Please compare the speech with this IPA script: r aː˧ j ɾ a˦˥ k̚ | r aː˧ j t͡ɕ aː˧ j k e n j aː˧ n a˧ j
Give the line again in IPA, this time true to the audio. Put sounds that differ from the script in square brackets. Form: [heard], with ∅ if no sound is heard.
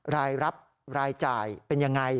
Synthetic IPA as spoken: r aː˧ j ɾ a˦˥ [p̚] | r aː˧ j t͡ɕ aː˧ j [p] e n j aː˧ [ŋ] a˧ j